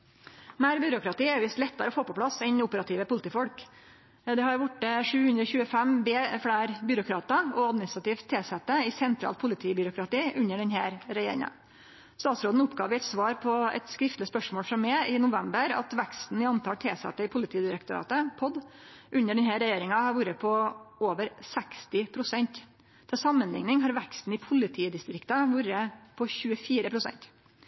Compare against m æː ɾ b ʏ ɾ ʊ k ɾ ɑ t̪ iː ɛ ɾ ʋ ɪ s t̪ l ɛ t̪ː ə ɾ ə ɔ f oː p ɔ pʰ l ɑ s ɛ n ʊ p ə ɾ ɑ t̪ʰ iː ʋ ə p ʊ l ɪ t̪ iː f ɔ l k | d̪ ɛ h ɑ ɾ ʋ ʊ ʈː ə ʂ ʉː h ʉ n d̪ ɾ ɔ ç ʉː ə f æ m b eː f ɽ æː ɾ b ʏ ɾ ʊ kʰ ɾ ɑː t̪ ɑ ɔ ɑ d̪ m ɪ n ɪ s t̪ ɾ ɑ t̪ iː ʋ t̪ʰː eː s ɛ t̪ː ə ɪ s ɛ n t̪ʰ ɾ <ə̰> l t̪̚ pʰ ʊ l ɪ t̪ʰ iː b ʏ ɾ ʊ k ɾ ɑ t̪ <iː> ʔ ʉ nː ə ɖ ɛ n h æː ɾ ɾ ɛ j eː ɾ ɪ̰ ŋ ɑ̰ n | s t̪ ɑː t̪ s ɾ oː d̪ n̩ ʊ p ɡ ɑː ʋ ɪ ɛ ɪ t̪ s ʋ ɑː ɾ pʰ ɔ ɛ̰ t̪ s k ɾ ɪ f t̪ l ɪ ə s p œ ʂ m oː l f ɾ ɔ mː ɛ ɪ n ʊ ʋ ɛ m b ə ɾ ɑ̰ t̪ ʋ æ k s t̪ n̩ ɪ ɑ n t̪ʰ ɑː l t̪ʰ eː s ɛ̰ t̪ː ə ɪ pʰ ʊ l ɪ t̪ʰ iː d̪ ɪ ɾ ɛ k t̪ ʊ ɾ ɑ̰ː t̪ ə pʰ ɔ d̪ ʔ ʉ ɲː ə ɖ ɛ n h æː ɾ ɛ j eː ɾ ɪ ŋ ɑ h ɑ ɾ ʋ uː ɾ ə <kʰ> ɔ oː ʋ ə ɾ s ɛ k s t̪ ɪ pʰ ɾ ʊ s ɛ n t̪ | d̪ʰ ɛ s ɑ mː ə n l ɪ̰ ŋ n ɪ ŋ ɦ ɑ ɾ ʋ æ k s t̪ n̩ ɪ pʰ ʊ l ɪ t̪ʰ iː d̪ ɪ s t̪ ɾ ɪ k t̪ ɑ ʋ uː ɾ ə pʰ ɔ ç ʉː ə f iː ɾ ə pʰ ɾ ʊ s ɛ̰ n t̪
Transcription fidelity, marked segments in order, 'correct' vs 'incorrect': incorrect: ɑ̰, correct, incorrect: pʰ

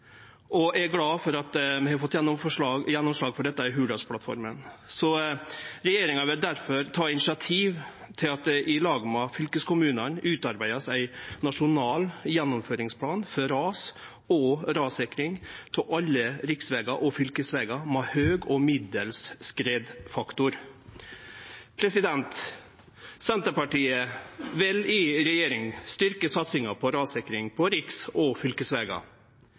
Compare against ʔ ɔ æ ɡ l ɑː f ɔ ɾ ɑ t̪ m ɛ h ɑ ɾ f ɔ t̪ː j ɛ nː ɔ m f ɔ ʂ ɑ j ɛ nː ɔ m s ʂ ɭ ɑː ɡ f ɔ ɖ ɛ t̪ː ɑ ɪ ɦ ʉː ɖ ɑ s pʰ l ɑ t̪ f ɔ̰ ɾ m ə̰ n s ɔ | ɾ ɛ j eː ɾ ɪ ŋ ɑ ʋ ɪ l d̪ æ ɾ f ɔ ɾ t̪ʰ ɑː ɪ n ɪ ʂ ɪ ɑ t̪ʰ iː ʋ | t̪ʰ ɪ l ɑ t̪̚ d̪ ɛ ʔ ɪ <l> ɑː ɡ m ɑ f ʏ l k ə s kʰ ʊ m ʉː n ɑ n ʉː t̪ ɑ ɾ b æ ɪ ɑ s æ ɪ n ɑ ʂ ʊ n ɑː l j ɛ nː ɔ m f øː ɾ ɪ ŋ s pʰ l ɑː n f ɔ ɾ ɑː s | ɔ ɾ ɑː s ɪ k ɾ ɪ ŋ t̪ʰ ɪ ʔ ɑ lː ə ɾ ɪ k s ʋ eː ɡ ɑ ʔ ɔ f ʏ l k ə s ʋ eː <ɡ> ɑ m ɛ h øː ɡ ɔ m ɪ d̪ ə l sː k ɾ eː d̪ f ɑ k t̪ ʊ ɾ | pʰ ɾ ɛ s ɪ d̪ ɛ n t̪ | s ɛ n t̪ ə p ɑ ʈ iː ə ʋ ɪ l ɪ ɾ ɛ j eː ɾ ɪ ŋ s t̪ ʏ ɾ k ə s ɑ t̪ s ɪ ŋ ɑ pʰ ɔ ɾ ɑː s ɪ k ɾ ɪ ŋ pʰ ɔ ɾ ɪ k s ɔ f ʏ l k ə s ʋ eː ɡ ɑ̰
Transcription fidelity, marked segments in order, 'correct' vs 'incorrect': correct, correct

